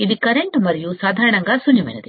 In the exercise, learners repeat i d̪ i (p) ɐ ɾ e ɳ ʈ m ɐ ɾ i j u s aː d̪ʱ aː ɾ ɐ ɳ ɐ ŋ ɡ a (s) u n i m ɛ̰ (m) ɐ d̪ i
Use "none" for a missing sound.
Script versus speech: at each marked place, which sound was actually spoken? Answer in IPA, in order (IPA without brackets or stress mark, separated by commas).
k, s, n